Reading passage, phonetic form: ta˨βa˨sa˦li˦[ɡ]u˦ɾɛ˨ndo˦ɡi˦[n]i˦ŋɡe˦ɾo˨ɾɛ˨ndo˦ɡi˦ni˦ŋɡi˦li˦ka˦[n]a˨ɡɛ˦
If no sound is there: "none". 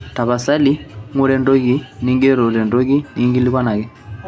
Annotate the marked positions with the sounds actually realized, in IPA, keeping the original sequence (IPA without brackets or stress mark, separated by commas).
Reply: ŋ, n, n